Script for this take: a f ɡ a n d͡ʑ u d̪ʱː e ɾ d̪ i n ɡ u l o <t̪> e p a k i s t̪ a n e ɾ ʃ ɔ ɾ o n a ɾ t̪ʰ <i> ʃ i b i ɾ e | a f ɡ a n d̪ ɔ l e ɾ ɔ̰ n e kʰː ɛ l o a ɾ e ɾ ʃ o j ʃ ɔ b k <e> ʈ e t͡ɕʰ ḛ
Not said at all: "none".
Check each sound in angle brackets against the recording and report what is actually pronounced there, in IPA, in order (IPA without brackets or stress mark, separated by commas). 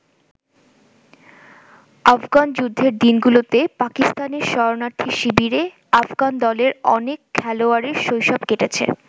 t̪, i, e